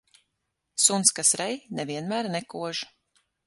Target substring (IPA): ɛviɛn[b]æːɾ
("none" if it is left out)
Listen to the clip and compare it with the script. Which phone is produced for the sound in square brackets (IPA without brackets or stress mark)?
m